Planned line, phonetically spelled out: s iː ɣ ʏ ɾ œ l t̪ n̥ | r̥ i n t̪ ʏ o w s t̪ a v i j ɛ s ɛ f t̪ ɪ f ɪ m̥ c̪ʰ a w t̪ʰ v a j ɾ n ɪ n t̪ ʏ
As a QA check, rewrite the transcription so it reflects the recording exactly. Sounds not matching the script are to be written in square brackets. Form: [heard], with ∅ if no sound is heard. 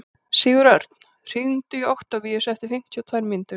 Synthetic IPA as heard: s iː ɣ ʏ ɾ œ [ɾ] t̪ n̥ | r̥ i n t̪ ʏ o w [h] t̪ a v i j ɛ s ɛ f t̪ ɪ f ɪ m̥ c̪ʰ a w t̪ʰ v a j ɾ [m] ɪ n t̪ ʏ